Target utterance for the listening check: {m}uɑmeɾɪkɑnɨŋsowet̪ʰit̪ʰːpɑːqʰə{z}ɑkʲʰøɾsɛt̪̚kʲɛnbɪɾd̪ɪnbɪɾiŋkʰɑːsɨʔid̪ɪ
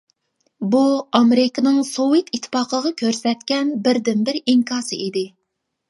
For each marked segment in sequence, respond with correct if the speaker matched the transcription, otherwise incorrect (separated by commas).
incorrect, incorrect